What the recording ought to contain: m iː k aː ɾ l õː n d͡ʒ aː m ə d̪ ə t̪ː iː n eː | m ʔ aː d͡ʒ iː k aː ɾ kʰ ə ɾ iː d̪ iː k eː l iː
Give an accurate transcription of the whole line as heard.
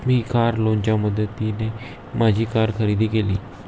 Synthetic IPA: m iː k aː ɾ l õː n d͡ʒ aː m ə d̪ ə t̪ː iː n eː | m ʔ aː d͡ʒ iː k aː ɾ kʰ ə ɾ iː d̪ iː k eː l iː